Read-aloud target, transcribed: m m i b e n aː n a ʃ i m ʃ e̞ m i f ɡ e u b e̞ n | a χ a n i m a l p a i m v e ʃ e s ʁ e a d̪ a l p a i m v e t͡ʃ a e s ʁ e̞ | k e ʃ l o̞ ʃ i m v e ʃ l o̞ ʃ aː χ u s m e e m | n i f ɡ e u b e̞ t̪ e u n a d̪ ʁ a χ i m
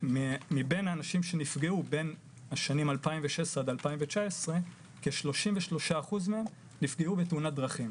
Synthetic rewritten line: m m i b e n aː n a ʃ i m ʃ e̞ n i f ɡ e u b e̞ n | a ʃ a n i m a l p a i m v e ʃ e s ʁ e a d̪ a l p a i m v e t͡ʃ a e s ʁ e̞ | k e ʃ l o̞ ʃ i m v e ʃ l o̞ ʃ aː χ u z m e e m | n i f ɡ e u b e̞ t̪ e u n a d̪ ʁ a χ i m